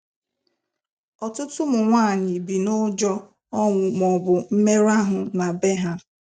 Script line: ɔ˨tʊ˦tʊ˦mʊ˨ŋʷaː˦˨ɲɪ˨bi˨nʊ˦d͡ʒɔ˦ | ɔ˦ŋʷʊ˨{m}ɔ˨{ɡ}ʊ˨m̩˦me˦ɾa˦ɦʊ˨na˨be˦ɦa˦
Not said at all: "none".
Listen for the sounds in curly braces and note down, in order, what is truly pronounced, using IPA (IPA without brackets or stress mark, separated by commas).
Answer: m, b